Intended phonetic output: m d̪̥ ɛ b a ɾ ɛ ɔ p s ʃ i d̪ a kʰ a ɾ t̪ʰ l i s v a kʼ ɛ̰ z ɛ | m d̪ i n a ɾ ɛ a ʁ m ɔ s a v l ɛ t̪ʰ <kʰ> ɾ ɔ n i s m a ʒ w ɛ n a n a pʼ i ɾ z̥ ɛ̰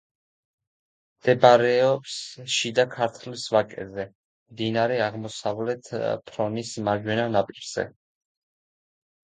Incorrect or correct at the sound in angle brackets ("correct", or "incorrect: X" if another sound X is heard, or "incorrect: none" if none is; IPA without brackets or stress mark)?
incorrect: pʰ